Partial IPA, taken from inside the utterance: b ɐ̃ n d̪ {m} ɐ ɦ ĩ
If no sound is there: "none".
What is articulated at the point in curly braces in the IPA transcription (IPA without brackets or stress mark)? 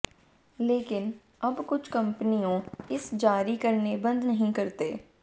n